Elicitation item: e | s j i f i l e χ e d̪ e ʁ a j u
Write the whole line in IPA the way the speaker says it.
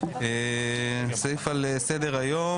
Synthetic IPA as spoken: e | s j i f a l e s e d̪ e ʁ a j o